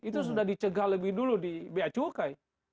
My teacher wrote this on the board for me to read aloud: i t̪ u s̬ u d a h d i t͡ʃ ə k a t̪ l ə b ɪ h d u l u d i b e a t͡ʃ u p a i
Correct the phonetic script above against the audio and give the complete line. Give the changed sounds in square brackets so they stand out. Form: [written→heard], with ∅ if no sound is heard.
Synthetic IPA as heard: i t̪ u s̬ u d a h d i t͡ʃ ə [k→ɡ] a [t̪→∅] l ə b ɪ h d u l u d i b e a t͡ʃ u [p→k] a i